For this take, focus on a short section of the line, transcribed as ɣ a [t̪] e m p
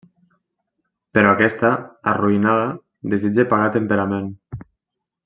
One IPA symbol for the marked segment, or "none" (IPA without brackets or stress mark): t̪